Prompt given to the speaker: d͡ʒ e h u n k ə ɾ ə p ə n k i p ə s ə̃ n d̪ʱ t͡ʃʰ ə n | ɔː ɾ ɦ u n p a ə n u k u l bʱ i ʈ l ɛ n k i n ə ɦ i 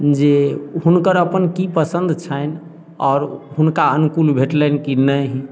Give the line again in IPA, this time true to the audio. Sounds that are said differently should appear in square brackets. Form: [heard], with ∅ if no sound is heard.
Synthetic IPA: d͡ʒ e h u n k ə ɾ ə p ə n k i p ə s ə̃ n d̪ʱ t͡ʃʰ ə n | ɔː ɾ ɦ u n [k] a ə n u k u l bʱ [e] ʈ l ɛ n k i n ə ɦ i